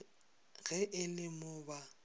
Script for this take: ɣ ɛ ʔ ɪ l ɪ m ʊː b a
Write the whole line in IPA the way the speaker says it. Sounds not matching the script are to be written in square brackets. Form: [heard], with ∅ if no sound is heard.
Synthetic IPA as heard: ɣ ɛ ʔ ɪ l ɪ m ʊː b a